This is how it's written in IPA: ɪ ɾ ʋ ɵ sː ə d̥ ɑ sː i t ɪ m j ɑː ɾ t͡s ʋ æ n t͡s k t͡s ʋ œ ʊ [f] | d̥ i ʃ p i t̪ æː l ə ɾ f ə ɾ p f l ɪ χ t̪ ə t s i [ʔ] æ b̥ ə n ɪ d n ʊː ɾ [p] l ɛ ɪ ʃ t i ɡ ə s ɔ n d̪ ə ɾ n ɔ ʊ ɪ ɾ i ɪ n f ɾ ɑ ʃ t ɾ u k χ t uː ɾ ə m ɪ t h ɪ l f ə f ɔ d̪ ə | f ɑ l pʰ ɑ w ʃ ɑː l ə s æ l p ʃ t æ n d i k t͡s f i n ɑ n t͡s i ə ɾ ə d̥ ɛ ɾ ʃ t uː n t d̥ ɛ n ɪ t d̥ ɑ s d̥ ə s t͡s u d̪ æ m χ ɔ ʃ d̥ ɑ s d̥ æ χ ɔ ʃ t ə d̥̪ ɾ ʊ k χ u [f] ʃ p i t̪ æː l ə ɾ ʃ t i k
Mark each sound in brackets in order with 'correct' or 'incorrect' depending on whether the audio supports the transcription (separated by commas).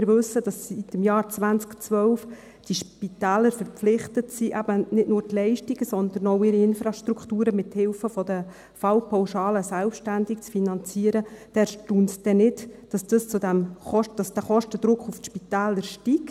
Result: correct, correct, incorrect, correct